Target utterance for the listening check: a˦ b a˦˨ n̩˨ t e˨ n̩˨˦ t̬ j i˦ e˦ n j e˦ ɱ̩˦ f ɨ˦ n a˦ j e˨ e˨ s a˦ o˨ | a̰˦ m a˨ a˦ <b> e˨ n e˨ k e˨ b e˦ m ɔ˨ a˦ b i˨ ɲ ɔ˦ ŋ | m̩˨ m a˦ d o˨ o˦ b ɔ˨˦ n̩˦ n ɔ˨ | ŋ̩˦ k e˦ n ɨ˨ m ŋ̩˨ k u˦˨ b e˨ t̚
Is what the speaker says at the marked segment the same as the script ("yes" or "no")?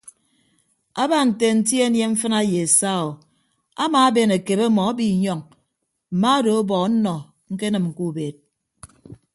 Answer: yes